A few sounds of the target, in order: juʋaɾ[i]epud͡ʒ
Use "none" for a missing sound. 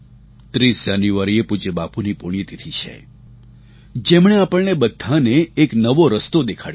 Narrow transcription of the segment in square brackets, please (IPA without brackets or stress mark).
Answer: i